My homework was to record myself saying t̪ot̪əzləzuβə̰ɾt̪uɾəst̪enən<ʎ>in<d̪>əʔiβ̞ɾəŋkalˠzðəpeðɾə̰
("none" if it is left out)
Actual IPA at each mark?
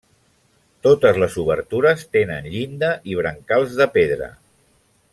ʎ, d̪

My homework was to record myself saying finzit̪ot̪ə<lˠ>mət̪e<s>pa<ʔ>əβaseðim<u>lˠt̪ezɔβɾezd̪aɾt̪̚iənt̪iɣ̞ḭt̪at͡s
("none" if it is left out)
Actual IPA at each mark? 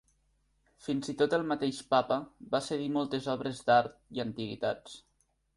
lˠ, ʃ, p, ɔ

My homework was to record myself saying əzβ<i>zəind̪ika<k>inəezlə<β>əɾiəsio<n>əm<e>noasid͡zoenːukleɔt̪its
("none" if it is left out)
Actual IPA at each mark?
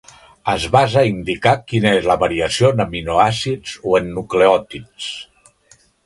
a, k, β, n, i

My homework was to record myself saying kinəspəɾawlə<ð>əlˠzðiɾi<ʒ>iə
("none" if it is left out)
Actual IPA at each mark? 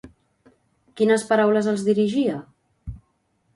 z, ʒ

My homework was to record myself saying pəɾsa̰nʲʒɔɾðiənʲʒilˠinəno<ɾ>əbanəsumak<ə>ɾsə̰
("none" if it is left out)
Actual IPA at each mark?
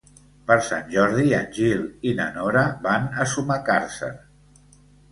ɾ, a

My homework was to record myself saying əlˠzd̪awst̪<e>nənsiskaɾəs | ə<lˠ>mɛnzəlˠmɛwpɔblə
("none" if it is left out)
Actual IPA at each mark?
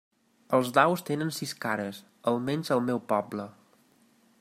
e, lˠ

